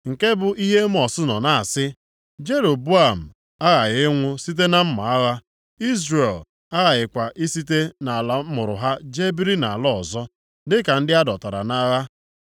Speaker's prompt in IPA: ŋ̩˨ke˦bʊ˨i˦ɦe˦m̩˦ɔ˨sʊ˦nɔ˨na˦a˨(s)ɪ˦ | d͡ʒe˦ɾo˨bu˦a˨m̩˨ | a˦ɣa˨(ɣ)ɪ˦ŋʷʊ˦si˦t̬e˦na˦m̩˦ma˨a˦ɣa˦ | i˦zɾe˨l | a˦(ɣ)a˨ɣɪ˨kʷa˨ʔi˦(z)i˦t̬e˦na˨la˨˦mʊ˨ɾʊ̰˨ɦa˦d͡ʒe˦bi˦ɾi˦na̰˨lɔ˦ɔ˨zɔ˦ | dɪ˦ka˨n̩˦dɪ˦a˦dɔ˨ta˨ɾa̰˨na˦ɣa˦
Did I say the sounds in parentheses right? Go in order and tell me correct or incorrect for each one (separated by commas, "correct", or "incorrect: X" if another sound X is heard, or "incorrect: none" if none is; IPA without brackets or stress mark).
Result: correct, correct, correct, incorrect: s